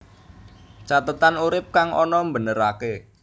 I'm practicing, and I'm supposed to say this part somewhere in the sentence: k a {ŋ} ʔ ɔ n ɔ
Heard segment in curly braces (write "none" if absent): ŋ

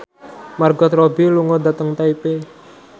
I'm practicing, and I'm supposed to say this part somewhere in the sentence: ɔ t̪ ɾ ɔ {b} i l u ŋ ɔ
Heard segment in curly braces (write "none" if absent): b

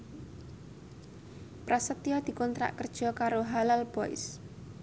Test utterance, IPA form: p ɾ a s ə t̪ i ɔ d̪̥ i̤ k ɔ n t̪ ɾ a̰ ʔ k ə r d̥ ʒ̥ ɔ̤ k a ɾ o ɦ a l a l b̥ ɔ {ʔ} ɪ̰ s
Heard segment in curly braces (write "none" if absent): none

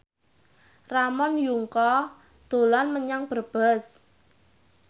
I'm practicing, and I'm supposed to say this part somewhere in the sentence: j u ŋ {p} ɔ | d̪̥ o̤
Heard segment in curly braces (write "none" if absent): k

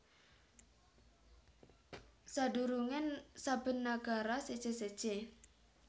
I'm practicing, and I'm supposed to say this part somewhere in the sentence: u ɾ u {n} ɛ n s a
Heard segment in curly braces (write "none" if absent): ŋ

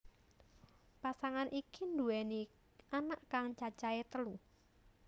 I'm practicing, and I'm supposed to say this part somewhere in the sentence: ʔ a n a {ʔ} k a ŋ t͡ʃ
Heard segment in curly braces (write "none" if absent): ʔ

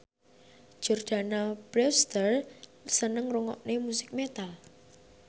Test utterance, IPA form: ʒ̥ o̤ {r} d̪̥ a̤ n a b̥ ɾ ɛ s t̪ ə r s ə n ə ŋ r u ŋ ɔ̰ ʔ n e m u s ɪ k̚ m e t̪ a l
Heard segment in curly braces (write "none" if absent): r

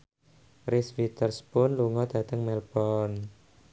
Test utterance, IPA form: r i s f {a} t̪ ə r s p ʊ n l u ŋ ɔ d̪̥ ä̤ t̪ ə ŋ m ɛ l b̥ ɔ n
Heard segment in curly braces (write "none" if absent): i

